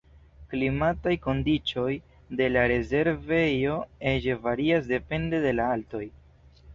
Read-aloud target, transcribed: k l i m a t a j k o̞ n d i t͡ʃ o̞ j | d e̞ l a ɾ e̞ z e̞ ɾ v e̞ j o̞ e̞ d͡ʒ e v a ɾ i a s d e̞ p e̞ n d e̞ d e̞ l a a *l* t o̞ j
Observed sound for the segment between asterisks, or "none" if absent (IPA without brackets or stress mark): l